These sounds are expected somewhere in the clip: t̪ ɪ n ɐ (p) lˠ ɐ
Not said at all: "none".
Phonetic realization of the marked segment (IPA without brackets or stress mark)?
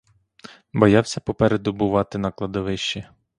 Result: k